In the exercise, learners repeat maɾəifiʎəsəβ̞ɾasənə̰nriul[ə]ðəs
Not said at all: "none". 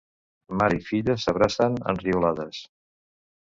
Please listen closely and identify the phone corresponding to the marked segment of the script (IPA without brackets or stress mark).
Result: a